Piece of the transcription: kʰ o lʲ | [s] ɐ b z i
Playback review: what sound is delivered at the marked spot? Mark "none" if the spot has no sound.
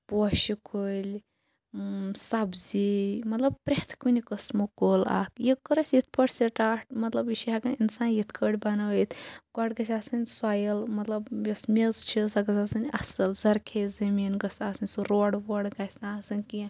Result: s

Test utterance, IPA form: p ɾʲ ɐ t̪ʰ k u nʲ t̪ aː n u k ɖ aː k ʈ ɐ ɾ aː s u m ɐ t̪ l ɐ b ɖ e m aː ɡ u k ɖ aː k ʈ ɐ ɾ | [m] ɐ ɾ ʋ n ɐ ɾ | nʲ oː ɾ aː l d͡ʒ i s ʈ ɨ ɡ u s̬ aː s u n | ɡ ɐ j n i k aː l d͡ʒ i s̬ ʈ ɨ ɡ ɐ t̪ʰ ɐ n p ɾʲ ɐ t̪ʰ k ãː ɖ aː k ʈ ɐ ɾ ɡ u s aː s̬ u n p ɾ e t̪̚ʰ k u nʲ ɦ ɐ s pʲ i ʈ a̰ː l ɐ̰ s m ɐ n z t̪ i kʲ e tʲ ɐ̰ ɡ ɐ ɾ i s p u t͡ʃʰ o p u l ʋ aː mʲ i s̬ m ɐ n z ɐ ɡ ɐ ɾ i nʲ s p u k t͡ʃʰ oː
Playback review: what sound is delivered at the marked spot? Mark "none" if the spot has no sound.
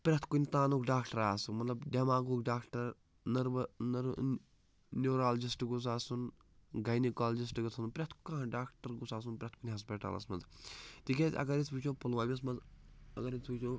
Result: n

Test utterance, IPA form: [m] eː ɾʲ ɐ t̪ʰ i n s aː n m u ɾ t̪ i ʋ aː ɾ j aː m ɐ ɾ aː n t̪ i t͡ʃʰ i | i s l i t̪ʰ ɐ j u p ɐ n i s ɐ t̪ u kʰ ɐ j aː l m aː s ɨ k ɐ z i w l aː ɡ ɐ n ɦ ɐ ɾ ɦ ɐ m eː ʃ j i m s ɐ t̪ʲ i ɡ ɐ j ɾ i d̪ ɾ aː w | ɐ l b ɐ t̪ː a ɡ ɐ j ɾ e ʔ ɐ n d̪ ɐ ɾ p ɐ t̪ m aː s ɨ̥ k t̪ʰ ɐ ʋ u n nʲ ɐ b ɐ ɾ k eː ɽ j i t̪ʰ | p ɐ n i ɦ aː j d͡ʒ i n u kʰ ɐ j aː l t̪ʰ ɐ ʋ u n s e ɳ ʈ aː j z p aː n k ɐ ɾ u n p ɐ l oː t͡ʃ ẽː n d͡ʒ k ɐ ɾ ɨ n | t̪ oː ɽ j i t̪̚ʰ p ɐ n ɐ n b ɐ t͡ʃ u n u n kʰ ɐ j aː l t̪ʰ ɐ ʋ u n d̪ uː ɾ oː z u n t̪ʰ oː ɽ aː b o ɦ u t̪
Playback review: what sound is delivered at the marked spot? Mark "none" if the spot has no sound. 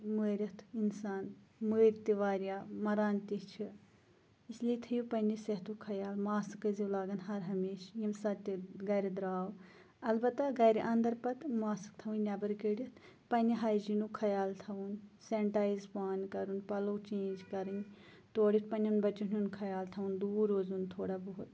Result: m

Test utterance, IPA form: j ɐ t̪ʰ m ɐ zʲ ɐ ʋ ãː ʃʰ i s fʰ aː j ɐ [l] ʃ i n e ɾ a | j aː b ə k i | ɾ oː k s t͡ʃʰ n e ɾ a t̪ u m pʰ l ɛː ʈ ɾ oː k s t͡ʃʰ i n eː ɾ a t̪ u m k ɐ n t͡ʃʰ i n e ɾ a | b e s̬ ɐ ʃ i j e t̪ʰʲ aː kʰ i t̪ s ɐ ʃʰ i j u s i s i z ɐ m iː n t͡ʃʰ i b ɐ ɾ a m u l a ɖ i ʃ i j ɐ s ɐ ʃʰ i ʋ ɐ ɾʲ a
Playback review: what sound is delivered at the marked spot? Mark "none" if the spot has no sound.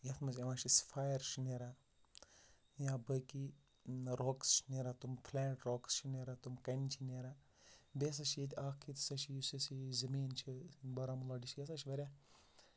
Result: ɾ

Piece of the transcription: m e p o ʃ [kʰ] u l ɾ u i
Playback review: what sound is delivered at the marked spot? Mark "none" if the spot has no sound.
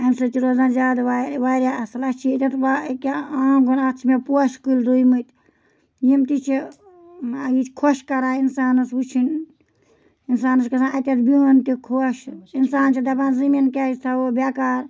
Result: k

